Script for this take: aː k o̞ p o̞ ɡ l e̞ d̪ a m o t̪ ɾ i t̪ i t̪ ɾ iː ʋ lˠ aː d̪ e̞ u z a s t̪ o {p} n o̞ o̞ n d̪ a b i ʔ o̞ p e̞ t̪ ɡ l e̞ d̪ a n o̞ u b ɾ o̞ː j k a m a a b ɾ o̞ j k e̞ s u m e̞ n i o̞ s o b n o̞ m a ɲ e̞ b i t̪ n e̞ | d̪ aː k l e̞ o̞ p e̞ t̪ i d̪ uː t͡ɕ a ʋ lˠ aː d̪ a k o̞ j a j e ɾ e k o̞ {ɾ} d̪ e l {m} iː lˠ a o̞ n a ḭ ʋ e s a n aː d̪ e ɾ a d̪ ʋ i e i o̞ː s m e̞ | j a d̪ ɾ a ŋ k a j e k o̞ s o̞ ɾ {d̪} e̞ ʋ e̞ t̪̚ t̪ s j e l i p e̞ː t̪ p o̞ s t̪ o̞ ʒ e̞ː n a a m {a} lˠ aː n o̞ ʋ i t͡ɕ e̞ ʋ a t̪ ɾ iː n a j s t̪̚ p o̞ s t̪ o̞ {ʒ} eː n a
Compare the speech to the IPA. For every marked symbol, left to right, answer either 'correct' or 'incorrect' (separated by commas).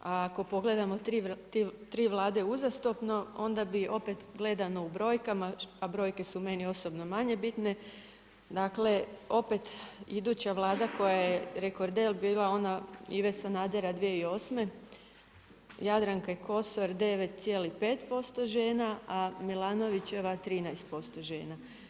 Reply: correct, correct, incorrect, correct, incorrect, correct